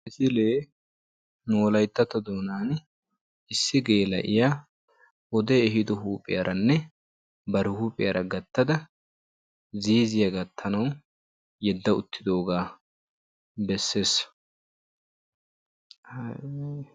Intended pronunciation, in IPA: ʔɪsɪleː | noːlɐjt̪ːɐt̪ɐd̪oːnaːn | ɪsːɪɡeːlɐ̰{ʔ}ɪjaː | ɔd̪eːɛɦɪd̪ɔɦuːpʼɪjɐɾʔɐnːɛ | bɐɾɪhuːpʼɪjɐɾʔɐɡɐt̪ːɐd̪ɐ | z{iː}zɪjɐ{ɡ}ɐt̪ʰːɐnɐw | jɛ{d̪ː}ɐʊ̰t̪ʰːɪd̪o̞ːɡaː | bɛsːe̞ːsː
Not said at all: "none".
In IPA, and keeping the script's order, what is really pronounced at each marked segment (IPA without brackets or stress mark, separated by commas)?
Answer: ʔ, iː, ɡ, d̪ː